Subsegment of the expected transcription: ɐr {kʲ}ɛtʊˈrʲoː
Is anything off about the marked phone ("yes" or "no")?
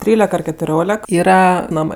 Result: no